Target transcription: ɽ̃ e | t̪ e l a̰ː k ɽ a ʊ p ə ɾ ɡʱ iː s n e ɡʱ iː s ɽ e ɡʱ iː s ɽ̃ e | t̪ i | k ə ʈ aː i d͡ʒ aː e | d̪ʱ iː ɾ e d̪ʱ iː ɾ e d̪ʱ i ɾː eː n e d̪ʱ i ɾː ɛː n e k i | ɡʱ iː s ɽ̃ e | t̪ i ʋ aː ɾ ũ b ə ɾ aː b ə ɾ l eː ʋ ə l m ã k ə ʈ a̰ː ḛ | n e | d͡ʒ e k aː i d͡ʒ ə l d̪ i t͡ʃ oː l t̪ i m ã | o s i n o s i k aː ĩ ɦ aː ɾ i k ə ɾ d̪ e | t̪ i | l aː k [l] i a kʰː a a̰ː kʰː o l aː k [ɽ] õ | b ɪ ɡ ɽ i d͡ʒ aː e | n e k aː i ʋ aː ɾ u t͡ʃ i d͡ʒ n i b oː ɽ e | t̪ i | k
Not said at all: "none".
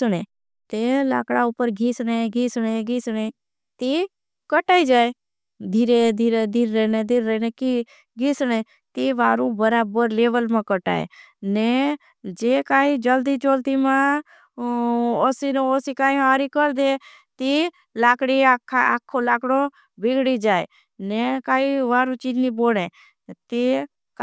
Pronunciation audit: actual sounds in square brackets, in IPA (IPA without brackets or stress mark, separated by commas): ɽ, ɽ